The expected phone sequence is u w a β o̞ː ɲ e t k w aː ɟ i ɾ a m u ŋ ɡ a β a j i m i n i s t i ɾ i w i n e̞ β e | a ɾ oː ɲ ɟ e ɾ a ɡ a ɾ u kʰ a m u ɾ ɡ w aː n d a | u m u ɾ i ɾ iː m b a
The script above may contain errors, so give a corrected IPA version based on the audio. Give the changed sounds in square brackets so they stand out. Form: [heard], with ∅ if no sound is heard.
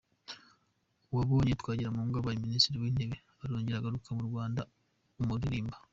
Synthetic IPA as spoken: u w a β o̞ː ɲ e t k w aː ɟ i ɾ a m u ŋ ɡ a β a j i m i n i s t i ɾ i w i n e̞ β e | a ɾ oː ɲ ɟ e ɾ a ɡ a ɾ u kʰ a m u ɾ ɡ w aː n d a | u m u ɾ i ɾ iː m b a